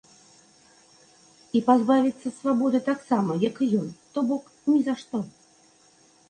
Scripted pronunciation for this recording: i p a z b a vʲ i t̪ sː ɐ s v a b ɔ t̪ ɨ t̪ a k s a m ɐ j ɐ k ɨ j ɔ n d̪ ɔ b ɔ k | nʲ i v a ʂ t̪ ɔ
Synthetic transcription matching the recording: i p a z b a vʲ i t̪ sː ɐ s v a b ɔ d̪ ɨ t̪ a k s a m ɐ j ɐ k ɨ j ɔ n t̪ ɔ b ɔ k | nʲ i z a ʂ t̪ ɔ